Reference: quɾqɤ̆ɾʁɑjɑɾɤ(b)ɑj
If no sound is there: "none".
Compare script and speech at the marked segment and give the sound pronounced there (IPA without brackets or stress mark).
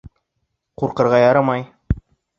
m